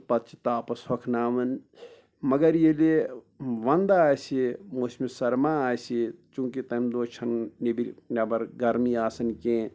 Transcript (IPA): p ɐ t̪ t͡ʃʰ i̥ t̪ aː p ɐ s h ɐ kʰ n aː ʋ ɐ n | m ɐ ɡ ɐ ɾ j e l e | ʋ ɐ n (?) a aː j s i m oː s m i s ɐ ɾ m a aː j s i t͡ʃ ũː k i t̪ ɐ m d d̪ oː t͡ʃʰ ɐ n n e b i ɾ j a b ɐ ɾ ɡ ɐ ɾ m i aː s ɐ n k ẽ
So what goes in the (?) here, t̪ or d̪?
d̪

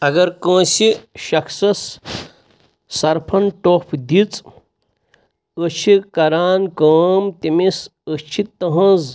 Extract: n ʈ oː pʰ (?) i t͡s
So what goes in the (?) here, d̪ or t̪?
d̪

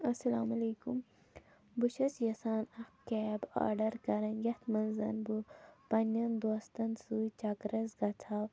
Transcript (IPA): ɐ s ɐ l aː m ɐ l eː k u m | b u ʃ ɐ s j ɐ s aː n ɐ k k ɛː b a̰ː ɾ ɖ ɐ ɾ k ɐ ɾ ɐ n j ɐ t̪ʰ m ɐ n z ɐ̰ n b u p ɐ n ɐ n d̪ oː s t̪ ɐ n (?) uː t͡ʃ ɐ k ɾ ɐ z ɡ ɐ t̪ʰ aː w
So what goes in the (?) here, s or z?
s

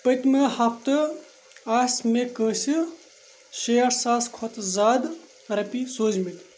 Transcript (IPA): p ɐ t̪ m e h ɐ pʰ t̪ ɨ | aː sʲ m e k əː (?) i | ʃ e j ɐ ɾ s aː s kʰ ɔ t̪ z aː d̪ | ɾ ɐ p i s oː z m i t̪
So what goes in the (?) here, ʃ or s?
s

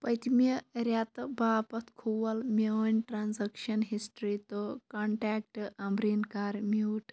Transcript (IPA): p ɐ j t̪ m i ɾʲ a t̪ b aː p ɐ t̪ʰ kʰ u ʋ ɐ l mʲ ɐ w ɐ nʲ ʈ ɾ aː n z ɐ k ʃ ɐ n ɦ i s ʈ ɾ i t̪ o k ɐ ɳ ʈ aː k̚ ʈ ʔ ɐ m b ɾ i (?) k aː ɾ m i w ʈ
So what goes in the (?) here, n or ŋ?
n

